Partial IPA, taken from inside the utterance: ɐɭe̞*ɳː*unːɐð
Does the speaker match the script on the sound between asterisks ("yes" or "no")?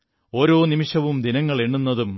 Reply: yes